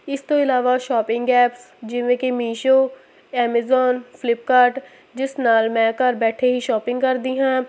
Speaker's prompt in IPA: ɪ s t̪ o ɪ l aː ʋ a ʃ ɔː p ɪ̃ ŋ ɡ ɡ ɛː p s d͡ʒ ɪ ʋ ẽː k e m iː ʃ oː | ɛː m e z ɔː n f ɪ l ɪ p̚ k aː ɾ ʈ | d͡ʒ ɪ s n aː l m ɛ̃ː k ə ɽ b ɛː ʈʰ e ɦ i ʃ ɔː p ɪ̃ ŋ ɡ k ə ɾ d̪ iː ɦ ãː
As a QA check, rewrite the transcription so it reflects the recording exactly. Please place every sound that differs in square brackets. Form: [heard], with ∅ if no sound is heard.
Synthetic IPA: ɪ s t̪ o ɪ l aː ʋ a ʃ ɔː p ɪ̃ ŋ ɡ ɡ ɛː p s d͡ʒ ɪ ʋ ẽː k e m iː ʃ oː | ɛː m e z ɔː n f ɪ l ɪ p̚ k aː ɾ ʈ | d͡ʒ ɪ s n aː l m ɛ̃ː k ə [ɾ] b ɛː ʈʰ e ɦ i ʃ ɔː p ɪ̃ ŋ ɡ k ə ɾ d̪ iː ɦ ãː